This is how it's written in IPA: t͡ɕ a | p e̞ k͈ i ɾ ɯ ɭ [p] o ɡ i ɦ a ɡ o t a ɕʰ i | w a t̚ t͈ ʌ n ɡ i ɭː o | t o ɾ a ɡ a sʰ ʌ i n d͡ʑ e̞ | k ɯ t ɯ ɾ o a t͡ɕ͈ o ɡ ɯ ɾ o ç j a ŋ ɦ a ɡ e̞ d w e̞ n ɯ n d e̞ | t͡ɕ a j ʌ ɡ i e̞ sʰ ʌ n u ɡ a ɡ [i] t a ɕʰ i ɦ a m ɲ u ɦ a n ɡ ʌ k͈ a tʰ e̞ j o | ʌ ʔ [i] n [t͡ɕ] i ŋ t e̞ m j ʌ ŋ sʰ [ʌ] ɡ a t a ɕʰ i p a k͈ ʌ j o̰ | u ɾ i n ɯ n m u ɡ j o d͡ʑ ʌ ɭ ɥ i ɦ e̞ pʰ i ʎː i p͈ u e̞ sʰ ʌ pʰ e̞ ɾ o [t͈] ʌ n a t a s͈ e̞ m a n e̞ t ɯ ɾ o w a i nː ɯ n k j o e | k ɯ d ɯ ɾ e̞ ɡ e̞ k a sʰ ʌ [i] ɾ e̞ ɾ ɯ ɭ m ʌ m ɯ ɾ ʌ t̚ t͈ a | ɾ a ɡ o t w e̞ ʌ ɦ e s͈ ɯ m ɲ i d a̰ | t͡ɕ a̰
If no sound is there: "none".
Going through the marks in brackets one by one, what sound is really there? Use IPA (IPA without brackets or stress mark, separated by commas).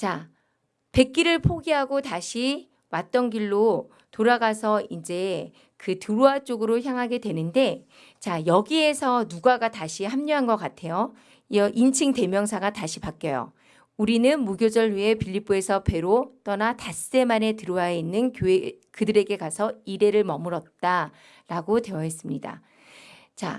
pʰ, a, i, t͡ɕʰ, a, t͈, i